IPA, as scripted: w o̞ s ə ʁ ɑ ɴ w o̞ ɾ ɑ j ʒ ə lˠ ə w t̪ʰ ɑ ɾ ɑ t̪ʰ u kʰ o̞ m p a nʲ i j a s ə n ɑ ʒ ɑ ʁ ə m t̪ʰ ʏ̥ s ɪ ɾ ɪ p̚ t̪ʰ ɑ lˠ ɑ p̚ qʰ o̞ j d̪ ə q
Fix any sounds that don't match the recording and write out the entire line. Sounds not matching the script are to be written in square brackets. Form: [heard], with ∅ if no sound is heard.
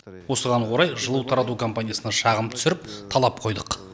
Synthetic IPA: w o̞ s ə ʁ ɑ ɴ w o̞ ɾ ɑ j ʒ ə lˠ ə w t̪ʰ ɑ ɾ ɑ [t̪] u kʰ o̞ m p a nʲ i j a s ə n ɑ [ʃ] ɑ ʁ ə m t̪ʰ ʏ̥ s ɪ ɾ ɪ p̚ t̪ʰ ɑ lˠ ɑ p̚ qʰ o̞ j d̪ ə q